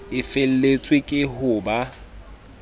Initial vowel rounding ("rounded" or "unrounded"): unrounded